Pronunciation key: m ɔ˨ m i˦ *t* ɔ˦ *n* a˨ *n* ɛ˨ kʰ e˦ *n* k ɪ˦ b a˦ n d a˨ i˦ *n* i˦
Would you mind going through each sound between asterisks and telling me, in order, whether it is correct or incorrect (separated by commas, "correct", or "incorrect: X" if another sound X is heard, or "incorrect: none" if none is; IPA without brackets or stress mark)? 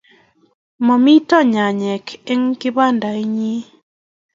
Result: correct, incorrect: ɲ, incorrect: ɲ, incorrect: ŋ, incorrect: ɲ